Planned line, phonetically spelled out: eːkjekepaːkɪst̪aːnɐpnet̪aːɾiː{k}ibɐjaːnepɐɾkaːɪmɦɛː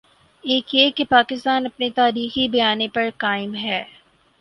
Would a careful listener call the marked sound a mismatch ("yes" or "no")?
yes